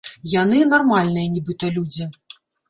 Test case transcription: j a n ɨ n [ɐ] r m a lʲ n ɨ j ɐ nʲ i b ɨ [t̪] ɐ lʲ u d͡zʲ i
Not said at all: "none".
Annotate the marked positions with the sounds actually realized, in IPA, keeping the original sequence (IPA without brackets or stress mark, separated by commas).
a, t̪